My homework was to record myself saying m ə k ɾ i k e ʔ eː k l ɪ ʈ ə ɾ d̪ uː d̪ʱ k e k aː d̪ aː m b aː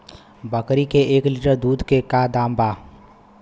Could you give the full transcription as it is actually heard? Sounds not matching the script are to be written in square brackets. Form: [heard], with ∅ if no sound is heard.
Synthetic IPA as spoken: [b] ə k ɾ i k e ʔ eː k l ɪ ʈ ə ɾ d̪ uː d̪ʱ k e k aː d̪ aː m b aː

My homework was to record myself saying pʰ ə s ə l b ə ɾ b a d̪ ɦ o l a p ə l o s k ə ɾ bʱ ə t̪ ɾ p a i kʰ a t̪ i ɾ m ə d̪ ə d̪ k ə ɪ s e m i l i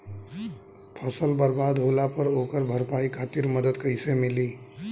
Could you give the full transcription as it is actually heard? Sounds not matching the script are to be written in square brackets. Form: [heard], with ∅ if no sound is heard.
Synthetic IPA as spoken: pʰ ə s ə l b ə ɾ b a d̪ ɦ o l a p ə [ɾ] o [∅] k ə ɾ bʱ ə [∅] ɾ p a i kʰ a t̪ i ɾ m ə d̪ ə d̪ k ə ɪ s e m i l i

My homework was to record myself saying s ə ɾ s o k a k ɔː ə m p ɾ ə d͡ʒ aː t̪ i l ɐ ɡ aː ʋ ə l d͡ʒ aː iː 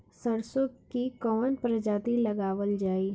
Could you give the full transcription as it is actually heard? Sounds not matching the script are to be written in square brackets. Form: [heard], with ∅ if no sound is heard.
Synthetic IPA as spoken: s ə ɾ s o k [i] k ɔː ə [n] p ɾ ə d͡ʒ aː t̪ i l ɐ ɡ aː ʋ ə l d͡ʒ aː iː

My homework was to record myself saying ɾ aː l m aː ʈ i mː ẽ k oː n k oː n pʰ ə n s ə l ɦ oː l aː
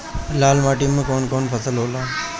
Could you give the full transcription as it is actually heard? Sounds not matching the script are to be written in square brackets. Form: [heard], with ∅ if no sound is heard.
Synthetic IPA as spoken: [l] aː l m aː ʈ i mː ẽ k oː n k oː n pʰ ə [∅] s ə l ɦ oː l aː

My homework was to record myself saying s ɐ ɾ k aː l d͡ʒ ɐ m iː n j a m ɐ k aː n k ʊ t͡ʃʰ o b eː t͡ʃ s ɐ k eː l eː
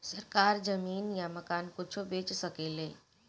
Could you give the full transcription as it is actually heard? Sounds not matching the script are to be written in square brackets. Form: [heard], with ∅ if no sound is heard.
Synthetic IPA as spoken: s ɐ ɾ k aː [ɾ] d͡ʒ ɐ m iː n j a m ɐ k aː n k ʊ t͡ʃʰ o b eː t͡ʃ s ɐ k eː l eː

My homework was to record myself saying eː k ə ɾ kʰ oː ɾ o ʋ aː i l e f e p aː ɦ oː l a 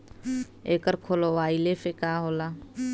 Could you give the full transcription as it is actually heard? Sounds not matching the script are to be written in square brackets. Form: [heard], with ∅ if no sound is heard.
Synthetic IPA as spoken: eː k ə ɾ kʰ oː [l] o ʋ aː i l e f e [k] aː ɦ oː l a

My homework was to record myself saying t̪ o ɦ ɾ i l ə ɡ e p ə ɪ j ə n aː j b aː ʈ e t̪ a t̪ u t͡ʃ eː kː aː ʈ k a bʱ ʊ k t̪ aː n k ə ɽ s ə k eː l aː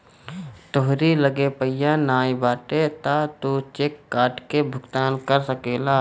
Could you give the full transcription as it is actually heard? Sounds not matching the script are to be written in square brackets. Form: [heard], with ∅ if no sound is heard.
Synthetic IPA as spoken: t̪ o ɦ ɾ i l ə ɡ e p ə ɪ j [a] n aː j b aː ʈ e t̪ a t̪ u t͡ʃ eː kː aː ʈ k [e] bʱ ʊ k t̪ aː n k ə [ɾ] s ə k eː l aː

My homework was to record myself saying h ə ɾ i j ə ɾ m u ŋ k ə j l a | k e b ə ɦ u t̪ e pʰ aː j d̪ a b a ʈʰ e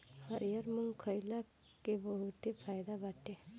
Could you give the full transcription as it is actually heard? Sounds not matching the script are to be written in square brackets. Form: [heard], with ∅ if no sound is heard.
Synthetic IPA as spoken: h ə ɾ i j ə ɾ m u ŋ [kʰ] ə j l a | k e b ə ɦ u t̪ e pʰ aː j d̪ a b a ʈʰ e

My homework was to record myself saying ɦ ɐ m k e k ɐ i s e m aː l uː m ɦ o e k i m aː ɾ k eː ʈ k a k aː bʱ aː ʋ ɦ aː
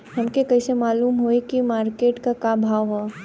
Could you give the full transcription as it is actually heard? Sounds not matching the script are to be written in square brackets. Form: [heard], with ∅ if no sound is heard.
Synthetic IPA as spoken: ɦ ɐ m k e k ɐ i s e m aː l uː m ɦ o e k i m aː ɾ k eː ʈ k a k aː bʱ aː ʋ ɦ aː

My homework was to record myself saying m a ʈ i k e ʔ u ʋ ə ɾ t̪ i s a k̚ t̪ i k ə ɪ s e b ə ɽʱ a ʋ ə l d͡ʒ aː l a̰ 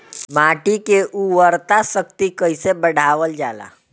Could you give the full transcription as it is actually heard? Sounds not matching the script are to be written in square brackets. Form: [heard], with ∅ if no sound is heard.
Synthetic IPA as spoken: m a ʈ i k e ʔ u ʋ ə ɾ t̪ [a] s [ə] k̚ t̪ i k ə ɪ s e b ə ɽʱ a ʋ ə l d͡ʒ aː l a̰

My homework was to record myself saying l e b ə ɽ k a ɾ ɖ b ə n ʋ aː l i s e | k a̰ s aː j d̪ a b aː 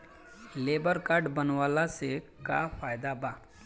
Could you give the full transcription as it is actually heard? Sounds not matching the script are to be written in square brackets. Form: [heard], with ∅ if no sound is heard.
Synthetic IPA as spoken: l e b ə [ɾ] k a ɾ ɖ b ə n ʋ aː l [a] s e | k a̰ [f] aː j d̪ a b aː

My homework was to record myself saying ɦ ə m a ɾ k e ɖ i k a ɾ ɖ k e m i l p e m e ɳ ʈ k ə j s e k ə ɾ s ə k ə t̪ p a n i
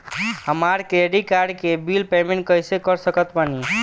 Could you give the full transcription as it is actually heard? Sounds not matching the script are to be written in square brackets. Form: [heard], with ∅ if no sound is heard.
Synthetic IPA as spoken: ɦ ə m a ɾ k e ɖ i k a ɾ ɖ k e [b] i l p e m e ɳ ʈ k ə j s e k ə ɾ s ə k ə t̪ p a n i

